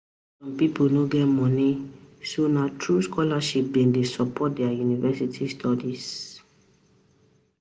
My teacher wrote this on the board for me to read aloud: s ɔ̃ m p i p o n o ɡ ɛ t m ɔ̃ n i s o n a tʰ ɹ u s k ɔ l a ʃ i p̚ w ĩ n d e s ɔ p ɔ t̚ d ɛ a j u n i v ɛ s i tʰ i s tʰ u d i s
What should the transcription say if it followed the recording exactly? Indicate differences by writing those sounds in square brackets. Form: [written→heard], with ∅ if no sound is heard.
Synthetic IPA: s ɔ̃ m p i p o n o ɡ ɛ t m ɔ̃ n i s o n a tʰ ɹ u s k ɔ l a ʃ i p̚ [w→b] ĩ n d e s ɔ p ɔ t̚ d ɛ a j u n i v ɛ s i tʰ i s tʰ [u→ɔ] d i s